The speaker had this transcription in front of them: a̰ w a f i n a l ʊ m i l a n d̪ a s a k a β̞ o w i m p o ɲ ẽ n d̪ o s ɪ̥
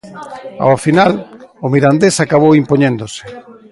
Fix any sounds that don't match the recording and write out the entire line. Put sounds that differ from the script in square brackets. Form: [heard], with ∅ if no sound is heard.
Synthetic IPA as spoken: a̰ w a f i n a l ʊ m i [ɾ] a n d̪ [e] s a k a β̞ o w i m p o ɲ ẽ n d̪ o s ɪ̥